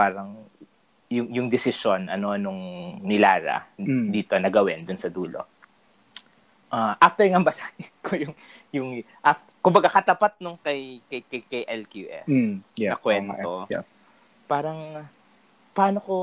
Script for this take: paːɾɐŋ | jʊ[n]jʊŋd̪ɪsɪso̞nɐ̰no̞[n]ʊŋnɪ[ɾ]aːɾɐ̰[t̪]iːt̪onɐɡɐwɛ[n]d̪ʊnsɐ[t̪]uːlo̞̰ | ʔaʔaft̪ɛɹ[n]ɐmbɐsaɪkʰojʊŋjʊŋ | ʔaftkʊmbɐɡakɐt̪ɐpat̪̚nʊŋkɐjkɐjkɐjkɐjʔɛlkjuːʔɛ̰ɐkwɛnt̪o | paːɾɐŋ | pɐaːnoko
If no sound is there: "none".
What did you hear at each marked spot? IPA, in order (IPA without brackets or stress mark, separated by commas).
ŋ, n, l, d̪, n, d̪, ŋ